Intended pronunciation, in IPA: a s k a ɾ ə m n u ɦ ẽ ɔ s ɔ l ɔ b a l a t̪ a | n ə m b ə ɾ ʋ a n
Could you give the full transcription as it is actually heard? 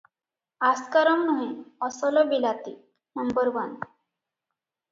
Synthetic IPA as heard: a s k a ɾ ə m n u ɦ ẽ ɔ s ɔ l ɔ b i l a t̪ i | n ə m b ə ɾ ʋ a n